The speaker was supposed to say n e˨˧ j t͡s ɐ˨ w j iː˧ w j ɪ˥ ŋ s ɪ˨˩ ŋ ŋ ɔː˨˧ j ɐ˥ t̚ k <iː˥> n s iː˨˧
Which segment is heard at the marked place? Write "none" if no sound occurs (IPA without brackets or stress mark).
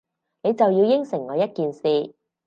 iː˨